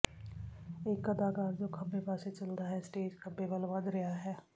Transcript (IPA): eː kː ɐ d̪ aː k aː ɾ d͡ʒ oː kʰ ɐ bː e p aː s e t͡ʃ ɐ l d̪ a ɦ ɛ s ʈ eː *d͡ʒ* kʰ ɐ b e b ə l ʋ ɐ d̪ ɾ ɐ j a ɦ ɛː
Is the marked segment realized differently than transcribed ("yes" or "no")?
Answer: no